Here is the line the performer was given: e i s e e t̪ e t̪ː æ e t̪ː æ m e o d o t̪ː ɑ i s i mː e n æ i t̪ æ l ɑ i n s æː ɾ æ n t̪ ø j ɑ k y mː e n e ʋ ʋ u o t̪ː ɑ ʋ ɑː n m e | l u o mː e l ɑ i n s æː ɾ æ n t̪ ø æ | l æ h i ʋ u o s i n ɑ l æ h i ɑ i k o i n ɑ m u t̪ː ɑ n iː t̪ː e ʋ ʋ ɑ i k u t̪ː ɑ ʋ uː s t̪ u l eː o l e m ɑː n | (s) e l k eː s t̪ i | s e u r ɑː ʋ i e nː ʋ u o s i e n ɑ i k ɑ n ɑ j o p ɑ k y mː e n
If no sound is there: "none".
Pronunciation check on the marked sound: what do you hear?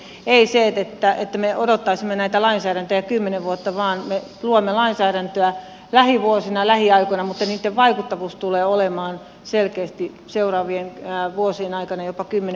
s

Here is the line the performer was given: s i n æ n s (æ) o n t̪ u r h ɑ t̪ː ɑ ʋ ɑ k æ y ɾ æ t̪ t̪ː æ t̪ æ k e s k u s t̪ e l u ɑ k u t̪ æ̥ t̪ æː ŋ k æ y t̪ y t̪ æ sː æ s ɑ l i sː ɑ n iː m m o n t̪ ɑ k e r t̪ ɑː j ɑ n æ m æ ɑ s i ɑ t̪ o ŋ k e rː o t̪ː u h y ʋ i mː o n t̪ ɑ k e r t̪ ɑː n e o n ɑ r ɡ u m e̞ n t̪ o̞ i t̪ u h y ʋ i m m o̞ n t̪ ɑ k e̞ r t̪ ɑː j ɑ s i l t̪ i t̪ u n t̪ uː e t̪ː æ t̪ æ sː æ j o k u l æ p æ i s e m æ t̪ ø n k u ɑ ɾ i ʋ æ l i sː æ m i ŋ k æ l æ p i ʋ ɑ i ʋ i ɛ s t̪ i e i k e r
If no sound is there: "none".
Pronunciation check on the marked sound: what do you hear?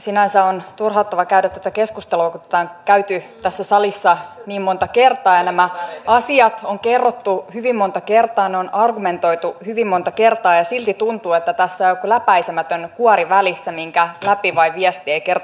æ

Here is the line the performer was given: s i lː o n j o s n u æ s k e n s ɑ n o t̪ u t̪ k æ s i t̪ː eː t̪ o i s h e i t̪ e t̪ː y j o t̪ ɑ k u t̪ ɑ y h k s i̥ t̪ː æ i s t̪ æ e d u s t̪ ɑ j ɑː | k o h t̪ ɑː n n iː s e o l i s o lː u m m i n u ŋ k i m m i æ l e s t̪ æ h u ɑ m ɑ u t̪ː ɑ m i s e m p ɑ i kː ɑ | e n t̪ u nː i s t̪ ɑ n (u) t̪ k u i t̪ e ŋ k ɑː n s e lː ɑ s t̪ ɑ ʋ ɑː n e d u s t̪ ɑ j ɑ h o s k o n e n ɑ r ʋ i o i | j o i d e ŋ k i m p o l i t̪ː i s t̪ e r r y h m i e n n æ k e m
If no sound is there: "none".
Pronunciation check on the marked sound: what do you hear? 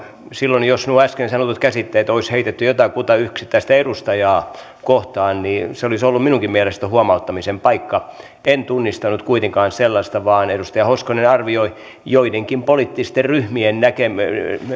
u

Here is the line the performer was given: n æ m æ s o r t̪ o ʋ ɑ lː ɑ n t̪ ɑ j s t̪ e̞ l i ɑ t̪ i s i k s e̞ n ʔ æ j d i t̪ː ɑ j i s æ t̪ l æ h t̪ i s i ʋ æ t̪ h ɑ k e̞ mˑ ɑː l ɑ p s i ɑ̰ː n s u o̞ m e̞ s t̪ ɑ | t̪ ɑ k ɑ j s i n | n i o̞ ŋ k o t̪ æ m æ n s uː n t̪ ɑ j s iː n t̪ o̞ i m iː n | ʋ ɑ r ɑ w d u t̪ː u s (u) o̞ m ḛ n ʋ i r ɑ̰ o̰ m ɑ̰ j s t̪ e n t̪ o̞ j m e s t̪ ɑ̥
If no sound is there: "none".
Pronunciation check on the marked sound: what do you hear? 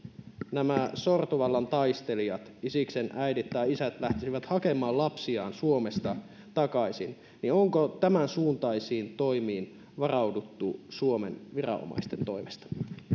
u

